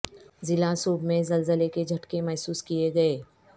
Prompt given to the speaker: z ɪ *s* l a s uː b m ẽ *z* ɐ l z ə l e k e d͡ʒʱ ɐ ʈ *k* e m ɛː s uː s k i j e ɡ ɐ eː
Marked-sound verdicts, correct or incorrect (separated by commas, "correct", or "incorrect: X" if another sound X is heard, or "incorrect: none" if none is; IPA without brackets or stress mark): incorrect: none, correct, correct